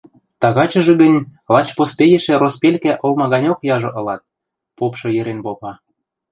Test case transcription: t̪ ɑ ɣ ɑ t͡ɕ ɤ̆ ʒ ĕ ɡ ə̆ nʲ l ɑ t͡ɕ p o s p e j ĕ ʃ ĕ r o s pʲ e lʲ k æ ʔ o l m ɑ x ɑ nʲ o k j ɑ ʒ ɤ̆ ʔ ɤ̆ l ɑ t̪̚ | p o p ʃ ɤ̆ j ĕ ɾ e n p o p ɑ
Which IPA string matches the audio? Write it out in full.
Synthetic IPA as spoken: t̪ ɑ ɣ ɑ t͡ɕ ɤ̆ ʒ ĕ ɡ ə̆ nʲ l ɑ t͡ɕ p o s p e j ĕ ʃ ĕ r o s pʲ e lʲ k æ ʔ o l m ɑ ɣ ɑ nʲ o k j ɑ ʒ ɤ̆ ʔ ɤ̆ l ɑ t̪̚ | p o p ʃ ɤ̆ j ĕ ɾ e n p o p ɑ